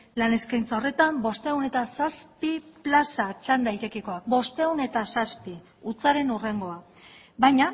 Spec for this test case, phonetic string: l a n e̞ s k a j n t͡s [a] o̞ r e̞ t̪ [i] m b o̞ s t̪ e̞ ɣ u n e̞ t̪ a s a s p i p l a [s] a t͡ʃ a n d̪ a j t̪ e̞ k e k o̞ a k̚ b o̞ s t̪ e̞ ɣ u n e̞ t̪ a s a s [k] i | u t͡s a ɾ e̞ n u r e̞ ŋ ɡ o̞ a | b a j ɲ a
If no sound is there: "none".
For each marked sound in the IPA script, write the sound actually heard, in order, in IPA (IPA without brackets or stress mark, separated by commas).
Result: a, a, s, p